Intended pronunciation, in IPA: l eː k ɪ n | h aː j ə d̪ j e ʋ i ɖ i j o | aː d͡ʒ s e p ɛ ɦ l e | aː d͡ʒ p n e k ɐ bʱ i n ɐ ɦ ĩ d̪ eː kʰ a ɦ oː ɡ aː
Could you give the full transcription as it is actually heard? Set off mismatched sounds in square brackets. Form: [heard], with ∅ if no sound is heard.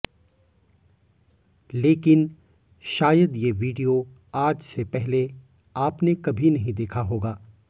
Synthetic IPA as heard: l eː k ɪ n | [ʃ] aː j ə d̪ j e ʋ [iː] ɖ i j o | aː d͡ʒ s e p ɛ ɦ l e | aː [∅] p n e k ɐ bʱ i n ɐ ɦ ĩ d̪ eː kʰ a ɦ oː ɡ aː